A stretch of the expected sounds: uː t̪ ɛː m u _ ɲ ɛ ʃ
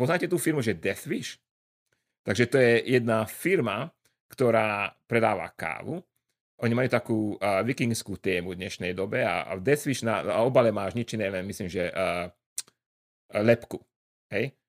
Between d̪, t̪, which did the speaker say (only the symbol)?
d̪